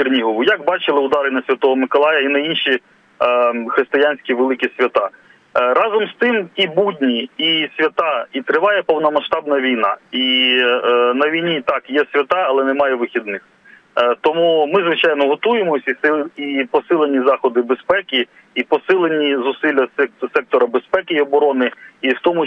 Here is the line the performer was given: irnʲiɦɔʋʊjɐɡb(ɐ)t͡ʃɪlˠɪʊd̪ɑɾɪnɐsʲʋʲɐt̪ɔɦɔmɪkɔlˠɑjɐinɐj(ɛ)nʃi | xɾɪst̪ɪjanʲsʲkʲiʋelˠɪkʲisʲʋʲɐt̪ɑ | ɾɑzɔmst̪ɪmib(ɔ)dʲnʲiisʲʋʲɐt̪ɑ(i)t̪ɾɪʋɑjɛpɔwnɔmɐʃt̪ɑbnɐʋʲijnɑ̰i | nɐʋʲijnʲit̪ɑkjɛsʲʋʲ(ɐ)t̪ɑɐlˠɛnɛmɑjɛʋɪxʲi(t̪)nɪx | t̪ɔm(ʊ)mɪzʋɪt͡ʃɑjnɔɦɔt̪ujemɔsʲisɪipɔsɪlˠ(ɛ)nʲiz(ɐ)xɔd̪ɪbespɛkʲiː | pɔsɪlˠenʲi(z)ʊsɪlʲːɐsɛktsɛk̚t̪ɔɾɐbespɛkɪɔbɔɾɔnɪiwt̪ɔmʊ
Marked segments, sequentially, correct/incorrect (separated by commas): incorrect, incorrect, incorrect, correct, correct, incorrect, incorrect, incorrect, incorrect, correct